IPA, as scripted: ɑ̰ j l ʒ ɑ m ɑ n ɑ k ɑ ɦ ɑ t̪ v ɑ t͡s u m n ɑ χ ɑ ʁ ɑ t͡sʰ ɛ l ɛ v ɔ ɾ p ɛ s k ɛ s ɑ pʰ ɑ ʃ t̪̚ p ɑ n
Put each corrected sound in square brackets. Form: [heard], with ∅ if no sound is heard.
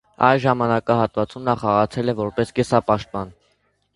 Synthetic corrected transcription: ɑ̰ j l ʒ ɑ m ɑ n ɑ k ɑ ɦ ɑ t̪ v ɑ t͡s u m n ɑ χ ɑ ʁ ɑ t͡sʰ ɛ l ɛ v ɔ ɾ p ɛ s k ɛ s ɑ [p] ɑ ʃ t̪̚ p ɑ n